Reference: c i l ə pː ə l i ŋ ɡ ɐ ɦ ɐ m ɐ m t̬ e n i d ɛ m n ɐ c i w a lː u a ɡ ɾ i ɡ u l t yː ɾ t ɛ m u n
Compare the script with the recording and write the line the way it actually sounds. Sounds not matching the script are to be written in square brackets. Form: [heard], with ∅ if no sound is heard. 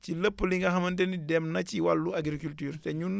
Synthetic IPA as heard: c i l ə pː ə l i ŋ ɡ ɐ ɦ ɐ m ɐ [n] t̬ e n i d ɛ m n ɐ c i w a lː u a ɡ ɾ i [k] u l t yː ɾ t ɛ [ɲ] u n